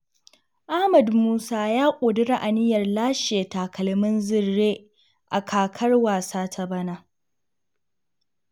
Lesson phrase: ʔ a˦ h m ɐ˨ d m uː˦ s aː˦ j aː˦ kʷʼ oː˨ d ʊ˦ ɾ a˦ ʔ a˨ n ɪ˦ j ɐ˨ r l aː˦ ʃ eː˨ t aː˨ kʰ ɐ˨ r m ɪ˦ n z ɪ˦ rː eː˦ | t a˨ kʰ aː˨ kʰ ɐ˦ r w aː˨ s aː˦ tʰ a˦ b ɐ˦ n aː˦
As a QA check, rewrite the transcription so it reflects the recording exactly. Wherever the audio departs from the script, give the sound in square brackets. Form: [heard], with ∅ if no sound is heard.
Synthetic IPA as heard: ʔ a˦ h m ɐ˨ d m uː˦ s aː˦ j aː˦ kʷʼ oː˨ d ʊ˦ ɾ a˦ ʔ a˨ n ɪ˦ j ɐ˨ r l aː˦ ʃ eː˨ t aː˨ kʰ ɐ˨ [l] m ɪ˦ n z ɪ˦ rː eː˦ | [ʔ] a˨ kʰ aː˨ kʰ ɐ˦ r w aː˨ s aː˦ tʰ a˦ b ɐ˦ n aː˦